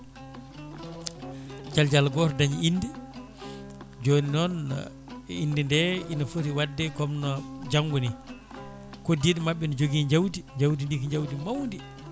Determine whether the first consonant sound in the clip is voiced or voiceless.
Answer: voiced